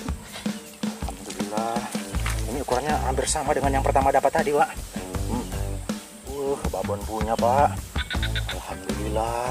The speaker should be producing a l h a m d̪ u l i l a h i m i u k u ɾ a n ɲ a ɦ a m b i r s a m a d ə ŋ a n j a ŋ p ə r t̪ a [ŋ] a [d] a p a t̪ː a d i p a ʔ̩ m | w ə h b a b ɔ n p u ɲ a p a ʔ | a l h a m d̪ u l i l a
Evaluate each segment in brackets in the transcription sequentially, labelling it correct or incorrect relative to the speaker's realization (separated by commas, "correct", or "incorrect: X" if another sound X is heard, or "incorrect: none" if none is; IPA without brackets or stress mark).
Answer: incorrect: m, correct